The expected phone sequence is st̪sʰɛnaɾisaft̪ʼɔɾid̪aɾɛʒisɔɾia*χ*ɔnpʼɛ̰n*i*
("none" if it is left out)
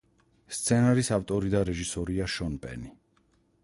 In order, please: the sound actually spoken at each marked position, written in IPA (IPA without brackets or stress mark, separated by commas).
ʃ, i